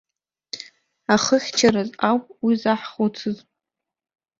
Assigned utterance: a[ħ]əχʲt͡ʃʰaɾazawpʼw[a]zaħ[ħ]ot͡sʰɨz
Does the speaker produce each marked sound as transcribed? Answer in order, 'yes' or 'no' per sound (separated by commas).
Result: no, no, no